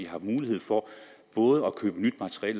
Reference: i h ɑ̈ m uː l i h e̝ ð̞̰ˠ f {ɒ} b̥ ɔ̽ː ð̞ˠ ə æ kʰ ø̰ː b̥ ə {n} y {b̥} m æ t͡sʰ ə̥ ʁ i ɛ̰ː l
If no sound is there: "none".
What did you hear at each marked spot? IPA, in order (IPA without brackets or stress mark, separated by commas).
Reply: ɒ, n, d̥